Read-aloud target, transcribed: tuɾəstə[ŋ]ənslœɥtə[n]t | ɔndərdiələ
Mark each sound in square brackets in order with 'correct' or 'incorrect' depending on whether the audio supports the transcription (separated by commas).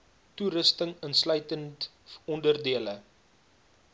correct, correct